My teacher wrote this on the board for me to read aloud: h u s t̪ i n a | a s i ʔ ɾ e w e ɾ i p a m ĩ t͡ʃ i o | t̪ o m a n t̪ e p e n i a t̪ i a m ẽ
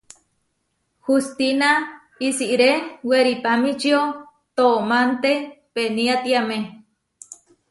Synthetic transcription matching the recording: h u s t̪ i n a | i s i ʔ ɾ e w e ɾ i p a m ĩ t͡ʃ i o | t̪ o m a n t̪ e p e n i a t̪ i a m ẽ